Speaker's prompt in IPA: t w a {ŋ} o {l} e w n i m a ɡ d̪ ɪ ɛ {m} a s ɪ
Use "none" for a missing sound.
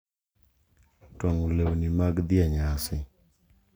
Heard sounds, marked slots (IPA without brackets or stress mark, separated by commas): ŋ, l, ɲ